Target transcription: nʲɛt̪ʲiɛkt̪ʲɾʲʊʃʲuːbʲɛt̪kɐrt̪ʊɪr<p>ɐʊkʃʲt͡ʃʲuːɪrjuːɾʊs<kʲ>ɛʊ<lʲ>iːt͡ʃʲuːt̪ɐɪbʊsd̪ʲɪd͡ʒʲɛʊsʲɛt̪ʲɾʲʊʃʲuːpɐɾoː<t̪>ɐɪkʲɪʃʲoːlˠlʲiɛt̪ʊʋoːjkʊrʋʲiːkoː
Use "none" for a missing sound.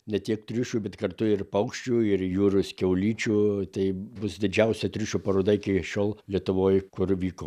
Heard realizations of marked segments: p, kʲ, lʲ, d̪

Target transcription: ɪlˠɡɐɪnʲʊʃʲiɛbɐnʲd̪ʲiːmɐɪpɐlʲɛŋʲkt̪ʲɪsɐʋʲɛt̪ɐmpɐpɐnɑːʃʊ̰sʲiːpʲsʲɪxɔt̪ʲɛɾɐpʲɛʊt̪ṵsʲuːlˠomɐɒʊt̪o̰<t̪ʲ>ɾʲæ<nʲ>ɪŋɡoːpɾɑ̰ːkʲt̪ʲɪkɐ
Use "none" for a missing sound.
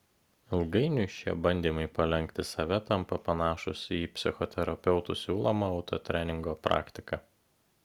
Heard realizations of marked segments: t̪ʲ, nʲ

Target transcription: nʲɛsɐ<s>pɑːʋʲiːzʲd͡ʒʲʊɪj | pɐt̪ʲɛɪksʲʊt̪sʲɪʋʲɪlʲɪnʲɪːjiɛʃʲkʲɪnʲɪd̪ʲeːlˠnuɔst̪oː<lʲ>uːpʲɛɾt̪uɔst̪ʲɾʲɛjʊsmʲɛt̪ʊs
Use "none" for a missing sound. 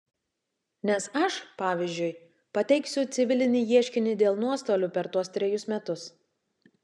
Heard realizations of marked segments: ʃ, lʲ

